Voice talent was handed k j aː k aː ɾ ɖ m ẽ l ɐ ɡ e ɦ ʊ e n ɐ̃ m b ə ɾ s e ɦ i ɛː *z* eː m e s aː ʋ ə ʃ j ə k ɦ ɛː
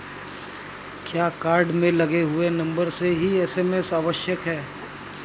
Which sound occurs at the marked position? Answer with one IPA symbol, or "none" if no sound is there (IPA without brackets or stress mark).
s